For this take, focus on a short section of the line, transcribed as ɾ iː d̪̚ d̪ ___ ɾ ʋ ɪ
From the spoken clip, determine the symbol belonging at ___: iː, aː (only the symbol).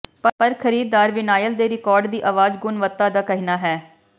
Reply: aː